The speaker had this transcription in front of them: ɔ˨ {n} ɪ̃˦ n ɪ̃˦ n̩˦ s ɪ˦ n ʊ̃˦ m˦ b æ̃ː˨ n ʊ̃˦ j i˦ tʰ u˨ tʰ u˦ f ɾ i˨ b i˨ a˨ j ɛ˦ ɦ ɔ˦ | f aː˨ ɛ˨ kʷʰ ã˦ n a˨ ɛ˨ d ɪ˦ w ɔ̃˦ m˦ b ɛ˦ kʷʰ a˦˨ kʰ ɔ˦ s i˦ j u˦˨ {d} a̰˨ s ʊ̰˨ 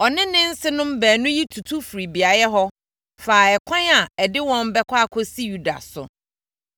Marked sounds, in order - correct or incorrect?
correct, correct

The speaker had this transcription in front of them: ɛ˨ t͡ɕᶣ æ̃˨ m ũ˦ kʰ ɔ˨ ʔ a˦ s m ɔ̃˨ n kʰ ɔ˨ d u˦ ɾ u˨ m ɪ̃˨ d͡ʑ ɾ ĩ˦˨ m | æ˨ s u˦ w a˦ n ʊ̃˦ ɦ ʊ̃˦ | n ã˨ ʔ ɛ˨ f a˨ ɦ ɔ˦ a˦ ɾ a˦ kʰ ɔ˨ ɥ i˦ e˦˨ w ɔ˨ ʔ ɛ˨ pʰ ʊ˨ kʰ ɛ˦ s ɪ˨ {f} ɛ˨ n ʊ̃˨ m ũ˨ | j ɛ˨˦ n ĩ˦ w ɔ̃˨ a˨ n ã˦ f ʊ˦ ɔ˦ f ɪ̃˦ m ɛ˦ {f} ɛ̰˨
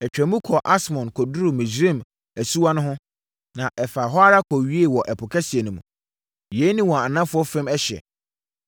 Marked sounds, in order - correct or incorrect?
incorrect, incorrect

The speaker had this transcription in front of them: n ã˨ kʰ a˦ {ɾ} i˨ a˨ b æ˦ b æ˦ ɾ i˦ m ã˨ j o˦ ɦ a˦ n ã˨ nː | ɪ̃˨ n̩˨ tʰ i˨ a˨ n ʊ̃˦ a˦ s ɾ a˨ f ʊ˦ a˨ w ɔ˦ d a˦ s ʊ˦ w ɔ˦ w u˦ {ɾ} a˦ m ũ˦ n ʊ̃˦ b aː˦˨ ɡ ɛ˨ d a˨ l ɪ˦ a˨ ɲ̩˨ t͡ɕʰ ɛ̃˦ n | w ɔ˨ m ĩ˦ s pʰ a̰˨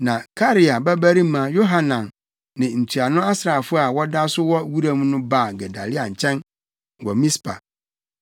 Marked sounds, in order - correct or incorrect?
correct, correct

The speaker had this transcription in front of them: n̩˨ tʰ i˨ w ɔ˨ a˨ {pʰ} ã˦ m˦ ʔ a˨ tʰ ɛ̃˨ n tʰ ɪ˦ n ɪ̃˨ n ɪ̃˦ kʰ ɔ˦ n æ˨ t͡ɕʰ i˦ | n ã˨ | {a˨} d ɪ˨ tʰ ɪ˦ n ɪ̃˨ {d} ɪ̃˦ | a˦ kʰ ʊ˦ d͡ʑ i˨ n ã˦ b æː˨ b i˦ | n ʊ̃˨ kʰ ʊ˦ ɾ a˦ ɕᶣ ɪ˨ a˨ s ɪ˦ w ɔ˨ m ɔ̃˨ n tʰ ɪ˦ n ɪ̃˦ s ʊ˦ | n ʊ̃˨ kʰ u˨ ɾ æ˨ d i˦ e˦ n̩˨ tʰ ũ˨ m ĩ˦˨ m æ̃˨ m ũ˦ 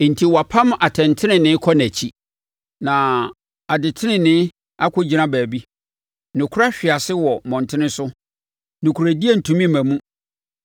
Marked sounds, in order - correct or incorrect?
correct, correct, incorrect

